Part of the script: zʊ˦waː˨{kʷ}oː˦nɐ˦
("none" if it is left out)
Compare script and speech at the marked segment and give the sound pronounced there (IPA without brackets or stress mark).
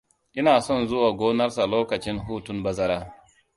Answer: ɡʷ